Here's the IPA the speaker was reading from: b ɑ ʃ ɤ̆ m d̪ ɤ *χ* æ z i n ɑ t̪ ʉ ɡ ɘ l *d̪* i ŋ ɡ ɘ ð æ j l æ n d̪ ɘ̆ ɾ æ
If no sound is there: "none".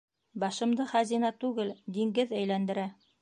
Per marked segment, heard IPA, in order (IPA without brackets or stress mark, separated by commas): χ, d̪